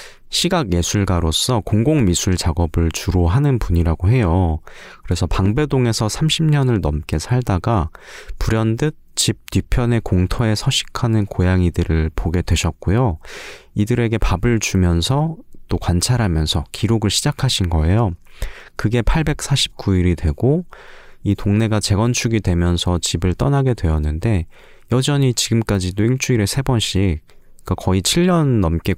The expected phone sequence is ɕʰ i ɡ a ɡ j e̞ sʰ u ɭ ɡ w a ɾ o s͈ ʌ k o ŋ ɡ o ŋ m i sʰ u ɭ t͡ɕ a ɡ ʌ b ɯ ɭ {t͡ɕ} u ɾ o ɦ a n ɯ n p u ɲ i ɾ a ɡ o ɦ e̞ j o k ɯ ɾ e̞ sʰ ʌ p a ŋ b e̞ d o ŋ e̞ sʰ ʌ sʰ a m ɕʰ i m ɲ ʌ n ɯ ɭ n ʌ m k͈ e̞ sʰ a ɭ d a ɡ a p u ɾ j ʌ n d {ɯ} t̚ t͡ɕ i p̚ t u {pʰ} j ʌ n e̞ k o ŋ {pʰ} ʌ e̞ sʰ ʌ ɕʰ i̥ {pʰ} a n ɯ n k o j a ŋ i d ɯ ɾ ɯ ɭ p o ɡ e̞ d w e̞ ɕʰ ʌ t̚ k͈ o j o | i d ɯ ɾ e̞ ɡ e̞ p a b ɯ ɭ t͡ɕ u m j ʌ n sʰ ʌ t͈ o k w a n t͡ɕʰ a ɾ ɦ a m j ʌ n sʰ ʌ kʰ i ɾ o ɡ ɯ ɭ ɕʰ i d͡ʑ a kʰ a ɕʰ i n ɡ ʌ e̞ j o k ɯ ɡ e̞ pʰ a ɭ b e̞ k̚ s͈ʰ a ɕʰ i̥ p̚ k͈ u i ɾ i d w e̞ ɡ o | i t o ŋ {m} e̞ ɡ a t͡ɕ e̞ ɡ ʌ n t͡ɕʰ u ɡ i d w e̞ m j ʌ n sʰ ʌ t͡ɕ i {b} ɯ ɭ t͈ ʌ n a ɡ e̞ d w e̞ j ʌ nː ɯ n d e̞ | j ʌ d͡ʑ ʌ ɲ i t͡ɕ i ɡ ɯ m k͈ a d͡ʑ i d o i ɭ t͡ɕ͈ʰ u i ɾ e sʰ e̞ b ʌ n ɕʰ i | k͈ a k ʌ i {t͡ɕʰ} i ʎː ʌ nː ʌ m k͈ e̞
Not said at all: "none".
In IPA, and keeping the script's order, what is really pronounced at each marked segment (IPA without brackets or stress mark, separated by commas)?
t͡ɕ, ɯ, pʰ, tʰ, kʰ, n, b, t͡ɕʰ